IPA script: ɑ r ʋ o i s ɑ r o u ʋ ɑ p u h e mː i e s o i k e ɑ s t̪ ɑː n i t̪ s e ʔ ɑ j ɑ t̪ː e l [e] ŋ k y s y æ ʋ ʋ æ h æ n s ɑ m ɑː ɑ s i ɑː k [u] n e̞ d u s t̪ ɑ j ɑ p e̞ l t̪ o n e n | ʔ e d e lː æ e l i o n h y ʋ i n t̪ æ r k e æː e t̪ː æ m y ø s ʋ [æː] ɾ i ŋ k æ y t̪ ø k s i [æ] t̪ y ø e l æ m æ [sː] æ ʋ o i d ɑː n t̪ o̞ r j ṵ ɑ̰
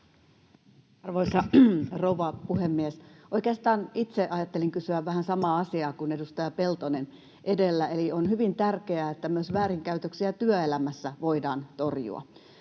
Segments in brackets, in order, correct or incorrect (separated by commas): incorrect, correct, correct, correct, correct